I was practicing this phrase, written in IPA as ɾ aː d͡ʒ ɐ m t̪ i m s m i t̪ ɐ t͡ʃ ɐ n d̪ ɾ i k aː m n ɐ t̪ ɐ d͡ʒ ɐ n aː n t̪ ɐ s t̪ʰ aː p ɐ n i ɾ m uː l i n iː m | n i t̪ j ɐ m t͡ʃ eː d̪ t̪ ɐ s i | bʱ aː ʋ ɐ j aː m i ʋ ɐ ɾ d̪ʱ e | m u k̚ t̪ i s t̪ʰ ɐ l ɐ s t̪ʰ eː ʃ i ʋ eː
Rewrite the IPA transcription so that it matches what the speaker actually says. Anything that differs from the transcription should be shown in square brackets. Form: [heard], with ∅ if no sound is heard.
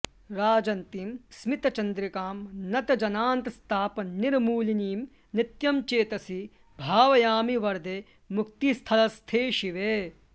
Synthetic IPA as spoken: ɾ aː d͡ʒ ɐ [n] t̪ i m s m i t̪ ɐ t͡ʃ ɐ n d̪ ɾ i k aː m n ɐ t̪ ɐ d͡ʒ ɐ n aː n t̪ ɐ s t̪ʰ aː p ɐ n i ɾ m uː l i n iː m | n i t̪ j ɐ m t͡ʃ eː [∅] t̪ ɐ s i | bʱ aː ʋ ɐ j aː m i ʋ ɐ ɾ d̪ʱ e | m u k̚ t̪ i s t̪ʰ ɐ l ɐ s t̪ʰ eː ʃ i ʋ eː